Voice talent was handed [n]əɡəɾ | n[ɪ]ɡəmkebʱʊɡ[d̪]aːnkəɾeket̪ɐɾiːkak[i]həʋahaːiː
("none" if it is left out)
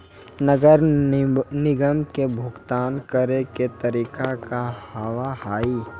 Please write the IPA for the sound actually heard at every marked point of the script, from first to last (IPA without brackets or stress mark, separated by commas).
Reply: n, ɪ, t̪, a